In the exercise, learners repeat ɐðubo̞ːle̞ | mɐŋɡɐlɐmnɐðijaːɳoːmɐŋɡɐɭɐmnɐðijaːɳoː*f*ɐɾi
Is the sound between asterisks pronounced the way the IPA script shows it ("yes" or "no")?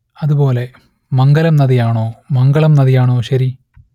no